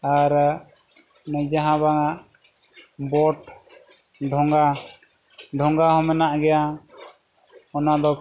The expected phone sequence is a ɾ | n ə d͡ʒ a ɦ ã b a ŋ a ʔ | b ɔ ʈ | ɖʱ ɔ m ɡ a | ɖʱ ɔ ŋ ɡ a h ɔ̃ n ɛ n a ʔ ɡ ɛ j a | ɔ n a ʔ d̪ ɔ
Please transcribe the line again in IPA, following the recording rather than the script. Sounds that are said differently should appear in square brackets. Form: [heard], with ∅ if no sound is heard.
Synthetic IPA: a ɾ | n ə d͡ʒ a ɦ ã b a ŋ a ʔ | b ɔ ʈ | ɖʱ ɔ [ŋ] ɡ a | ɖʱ ɔ ŋ ɡ a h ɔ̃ [m] ɛ n a ʔ ɡ ɛ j a | ɔ n a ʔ d̪ ɔ